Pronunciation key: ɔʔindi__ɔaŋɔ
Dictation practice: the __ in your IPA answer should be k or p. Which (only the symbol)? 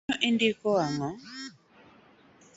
k